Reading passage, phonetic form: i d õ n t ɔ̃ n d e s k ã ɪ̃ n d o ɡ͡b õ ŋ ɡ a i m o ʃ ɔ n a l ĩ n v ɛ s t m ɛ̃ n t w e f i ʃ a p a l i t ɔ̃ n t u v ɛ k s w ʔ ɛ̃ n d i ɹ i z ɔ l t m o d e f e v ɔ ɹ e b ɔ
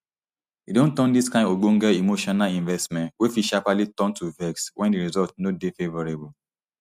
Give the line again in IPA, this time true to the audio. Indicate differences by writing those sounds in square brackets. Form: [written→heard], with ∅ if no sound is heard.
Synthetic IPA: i d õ n t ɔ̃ n d [e→i] s k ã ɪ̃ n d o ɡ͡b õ ŋ ɡ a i m o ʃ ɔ n a l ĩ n v ɛ s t m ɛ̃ n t w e f i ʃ a p a l i t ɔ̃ n t u v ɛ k s w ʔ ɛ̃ n d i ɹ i z ɔ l t [m→n] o d e f e v ɔ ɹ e b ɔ